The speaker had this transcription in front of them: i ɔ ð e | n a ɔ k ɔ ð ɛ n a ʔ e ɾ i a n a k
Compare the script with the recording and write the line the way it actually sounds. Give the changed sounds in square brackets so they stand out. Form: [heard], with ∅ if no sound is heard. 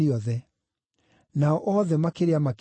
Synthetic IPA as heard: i ɔ ð [ɛ] | n a ɔ [ʔ] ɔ ð ɛ [m] a [k] e ɾ [e] a [m] a k